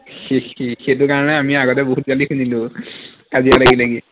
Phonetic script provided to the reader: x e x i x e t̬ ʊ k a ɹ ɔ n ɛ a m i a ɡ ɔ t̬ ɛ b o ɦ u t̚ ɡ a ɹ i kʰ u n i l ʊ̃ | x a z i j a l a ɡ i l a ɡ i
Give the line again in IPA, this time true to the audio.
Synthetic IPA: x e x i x e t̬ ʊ k a ɹ ɔ n ɛ a m i a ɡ ɔ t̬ ɛ b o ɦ u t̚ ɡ a l i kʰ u n i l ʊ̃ | k a z i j a l a ɡ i l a ɡ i